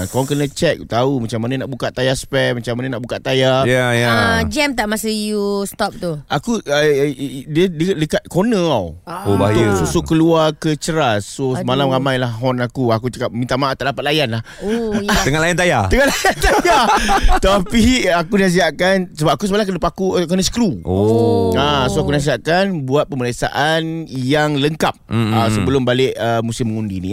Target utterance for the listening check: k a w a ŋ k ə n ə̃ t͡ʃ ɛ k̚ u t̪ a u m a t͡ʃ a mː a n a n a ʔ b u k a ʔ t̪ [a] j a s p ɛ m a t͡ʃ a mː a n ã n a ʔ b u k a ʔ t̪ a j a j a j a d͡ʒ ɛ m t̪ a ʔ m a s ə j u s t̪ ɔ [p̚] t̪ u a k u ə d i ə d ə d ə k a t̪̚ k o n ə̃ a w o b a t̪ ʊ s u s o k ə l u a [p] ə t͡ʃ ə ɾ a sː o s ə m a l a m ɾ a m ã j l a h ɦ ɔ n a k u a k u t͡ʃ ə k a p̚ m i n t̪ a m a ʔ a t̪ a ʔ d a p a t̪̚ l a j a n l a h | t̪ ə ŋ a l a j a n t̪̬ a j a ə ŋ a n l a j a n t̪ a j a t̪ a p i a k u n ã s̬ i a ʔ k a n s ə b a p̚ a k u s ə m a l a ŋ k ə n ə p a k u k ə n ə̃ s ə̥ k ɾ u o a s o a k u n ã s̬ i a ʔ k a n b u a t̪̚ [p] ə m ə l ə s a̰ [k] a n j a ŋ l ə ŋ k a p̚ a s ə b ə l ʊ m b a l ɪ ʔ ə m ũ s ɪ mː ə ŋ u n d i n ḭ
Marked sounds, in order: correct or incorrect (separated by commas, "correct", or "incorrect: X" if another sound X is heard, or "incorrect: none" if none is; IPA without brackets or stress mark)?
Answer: correct, correct, incorrect: k, correct, incorrect: ʔ